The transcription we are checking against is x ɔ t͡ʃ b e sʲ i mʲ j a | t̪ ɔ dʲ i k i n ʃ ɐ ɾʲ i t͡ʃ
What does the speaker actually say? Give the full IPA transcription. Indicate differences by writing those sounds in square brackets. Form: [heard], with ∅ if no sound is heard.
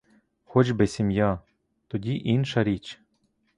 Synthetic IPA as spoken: x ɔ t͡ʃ b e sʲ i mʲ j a | t̪ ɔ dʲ i [ʔ] i n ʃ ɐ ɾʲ i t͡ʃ